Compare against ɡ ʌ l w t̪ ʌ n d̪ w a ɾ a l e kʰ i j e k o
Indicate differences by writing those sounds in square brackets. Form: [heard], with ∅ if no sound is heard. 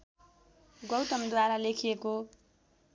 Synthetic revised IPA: ɡ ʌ [∅] w t̪ ʌ [m] d̪ w a ɾ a l e kʰ i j e k o